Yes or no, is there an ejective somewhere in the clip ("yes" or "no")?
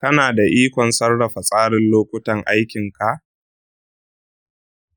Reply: yes